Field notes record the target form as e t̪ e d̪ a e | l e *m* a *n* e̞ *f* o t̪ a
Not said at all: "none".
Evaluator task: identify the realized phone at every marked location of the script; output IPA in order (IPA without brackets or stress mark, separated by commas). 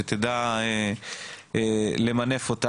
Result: m, n, f